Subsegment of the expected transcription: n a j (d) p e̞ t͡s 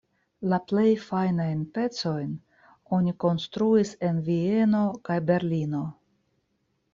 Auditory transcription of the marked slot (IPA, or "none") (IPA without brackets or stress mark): n